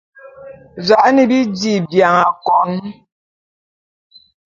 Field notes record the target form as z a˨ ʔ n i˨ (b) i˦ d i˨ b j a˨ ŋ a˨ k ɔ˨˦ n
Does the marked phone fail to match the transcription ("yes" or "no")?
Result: no